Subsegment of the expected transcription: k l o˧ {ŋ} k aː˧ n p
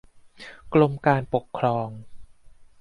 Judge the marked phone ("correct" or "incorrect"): incorrect